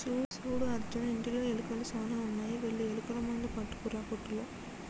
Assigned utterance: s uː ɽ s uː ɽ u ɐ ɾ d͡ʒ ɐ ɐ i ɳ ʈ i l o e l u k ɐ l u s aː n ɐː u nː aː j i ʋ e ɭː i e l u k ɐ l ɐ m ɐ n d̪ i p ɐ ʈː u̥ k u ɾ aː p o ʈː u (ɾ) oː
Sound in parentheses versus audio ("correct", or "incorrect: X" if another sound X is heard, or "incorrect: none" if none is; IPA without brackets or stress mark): incorrect: l